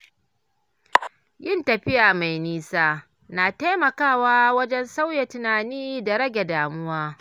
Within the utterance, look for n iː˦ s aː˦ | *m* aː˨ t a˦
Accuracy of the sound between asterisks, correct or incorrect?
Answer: incorrect